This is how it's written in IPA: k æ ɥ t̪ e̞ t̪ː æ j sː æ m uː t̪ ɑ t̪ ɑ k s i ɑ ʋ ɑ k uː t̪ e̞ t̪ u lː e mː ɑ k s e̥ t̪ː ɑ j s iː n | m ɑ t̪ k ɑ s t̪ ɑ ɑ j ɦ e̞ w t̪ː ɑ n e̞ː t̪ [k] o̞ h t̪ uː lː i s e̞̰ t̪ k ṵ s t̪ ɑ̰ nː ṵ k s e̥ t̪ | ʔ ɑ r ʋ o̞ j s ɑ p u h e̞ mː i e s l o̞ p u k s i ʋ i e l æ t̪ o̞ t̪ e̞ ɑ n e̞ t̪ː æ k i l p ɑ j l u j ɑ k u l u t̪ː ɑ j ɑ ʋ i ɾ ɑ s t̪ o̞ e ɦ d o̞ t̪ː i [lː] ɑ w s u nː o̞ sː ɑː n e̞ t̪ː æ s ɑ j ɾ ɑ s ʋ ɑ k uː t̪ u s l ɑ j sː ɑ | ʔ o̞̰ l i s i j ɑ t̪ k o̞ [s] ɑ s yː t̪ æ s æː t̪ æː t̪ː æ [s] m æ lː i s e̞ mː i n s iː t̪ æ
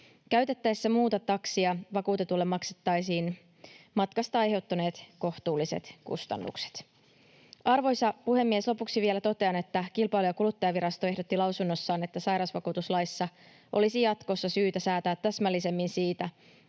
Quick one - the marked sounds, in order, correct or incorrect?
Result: correct, incorrect, incorrect, correct

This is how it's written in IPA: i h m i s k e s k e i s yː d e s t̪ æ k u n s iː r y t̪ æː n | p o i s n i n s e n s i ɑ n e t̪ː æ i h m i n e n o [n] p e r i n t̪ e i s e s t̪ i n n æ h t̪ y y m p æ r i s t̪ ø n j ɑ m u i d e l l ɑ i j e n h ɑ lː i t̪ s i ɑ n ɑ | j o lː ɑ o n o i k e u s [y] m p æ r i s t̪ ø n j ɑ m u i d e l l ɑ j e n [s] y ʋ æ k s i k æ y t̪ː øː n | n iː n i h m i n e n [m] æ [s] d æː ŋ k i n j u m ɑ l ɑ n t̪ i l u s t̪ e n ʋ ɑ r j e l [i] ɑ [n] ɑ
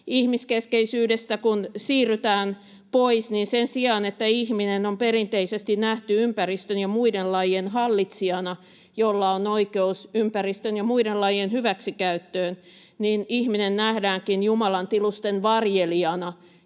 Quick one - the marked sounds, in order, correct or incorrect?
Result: incorrect, correct, incorrect, incorrect, incorrect, correct, correct

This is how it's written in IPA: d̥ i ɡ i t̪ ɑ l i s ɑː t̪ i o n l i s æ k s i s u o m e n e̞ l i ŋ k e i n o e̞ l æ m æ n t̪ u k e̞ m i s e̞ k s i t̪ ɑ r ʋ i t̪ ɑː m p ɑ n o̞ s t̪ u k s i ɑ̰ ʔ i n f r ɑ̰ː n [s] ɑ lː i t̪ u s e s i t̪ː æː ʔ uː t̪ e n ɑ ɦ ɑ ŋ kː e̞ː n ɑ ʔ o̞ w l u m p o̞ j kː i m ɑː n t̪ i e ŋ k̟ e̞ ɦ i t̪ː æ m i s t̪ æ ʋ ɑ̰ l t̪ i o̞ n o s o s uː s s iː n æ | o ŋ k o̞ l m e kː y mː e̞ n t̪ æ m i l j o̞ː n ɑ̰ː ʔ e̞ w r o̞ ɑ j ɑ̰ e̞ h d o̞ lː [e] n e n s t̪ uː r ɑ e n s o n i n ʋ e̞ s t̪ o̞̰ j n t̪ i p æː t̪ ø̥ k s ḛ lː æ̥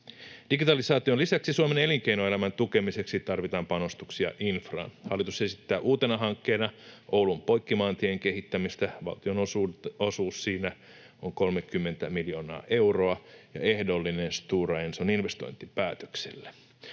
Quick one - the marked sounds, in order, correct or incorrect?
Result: incorrect, incorrect

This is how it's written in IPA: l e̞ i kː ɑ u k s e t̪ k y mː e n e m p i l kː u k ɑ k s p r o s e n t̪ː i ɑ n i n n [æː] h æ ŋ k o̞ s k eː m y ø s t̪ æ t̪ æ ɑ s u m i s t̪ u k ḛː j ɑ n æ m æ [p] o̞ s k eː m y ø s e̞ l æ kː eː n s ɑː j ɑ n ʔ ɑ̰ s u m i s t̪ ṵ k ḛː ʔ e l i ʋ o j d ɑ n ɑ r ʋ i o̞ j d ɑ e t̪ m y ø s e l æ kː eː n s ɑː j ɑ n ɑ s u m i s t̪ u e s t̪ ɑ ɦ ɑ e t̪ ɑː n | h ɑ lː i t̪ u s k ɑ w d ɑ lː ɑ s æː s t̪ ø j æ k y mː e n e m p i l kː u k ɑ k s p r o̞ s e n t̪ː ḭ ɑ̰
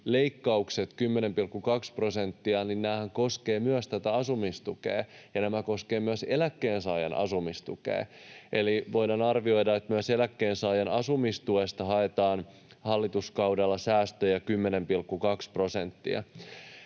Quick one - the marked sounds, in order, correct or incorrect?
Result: correct, incorrect

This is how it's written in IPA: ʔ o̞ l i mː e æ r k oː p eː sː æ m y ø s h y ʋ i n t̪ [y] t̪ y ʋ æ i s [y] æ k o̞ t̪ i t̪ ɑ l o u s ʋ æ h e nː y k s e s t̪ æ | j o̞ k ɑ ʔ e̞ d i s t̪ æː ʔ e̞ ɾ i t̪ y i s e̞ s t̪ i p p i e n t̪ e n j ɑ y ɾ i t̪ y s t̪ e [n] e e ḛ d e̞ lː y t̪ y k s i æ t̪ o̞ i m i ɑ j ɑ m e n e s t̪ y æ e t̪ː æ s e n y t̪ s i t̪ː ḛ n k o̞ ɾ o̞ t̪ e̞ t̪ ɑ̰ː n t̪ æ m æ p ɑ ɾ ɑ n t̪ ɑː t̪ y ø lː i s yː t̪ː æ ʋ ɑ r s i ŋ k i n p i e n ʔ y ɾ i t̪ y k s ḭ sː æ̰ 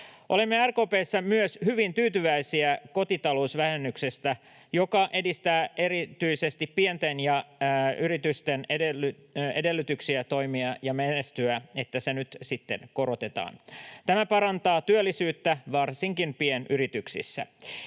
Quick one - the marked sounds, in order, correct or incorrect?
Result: incorrect, incorrect, correct

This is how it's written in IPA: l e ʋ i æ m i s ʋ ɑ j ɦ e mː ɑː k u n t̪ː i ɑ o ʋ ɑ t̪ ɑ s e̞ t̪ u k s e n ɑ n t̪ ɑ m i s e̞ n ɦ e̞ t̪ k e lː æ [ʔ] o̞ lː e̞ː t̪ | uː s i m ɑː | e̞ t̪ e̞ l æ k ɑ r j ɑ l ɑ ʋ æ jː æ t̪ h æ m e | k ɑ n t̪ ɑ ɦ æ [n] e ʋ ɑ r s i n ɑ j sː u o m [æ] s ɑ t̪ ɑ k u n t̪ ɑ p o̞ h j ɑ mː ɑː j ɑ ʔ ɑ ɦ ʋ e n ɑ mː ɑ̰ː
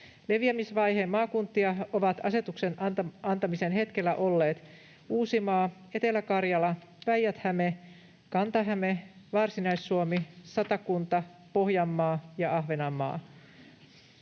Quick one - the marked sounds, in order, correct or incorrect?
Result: correct, incorrect, incorrect

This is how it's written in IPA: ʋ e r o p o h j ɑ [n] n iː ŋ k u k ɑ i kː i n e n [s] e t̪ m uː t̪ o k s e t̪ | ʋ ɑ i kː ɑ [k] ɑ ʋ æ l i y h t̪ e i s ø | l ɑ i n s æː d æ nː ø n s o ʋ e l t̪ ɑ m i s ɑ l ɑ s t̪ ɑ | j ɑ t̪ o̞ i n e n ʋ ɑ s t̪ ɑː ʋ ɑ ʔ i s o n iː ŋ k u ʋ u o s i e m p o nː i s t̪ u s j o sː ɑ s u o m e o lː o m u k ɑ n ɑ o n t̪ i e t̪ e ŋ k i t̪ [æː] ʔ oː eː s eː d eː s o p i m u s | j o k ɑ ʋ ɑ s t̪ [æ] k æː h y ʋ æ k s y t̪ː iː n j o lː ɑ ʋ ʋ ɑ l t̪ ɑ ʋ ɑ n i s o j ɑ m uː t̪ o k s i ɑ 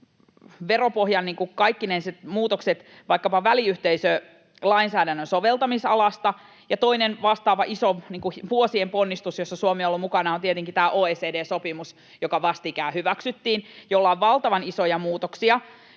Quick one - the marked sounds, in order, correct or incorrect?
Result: correct, correct, incorrect, correct, incorrect

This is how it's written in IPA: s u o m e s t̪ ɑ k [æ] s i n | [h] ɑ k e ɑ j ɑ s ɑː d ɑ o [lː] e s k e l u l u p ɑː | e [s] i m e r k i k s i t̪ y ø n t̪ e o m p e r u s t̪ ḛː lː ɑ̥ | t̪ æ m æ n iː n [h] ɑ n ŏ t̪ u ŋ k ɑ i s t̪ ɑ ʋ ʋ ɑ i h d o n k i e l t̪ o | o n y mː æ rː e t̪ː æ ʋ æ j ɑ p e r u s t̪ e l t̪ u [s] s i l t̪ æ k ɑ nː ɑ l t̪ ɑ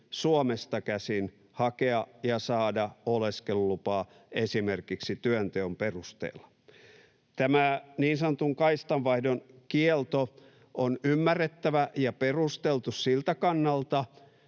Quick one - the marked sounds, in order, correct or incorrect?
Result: correct, correct, incorrect, correct, incorrect, correct

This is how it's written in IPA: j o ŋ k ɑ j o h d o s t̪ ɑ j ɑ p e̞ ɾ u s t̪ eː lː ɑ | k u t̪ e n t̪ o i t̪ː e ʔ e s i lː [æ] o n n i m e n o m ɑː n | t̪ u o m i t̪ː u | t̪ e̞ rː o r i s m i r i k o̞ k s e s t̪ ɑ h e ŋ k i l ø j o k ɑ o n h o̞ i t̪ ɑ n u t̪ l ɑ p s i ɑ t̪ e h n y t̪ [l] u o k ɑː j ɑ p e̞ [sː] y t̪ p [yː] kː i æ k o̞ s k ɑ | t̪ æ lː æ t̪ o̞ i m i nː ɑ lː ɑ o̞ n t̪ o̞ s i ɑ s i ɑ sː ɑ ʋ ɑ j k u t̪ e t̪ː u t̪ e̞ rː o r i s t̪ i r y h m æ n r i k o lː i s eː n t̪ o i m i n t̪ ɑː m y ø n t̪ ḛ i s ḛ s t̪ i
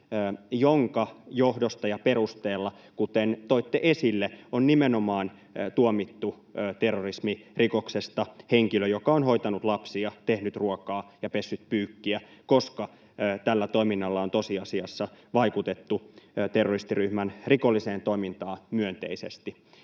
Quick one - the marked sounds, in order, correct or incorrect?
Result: incorrect, incorrect, correct, correct

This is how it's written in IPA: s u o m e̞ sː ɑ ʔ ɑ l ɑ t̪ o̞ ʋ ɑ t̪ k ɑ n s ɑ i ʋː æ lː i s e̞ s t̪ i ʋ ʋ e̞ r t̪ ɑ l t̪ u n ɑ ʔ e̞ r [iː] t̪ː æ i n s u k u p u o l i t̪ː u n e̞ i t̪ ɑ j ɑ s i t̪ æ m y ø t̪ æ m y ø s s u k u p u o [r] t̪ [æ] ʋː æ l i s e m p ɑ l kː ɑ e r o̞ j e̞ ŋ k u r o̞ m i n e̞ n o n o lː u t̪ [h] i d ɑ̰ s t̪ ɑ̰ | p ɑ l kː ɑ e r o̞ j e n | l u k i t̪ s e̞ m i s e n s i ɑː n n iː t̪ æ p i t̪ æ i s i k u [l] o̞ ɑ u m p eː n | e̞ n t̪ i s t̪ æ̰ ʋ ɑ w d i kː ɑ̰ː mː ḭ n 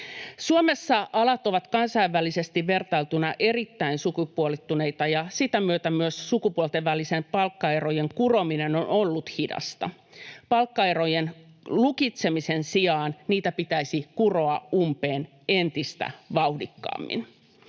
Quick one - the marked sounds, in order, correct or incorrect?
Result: incorrect, incorrect, incorrect, correct, incorrect

